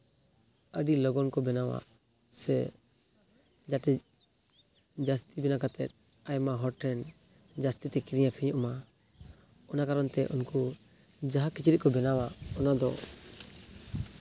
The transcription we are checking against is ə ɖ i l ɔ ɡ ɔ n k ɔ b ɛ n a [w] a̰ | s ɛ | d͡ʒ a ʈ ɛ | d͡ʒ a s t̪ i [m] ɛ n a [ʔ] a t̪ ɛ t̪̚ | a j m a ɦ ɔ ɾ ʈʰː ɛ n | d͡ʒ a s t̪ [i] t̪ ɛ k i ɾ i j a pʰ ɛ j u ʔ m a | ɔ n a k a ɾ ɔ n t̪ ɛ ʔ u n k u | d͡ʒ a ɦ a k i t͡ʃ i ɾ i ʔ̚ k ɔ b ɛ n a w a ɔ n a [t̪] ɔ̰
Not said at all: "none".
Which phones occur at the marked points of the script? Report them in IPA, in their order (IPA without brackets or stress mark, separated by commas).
w, b, k, i, d̪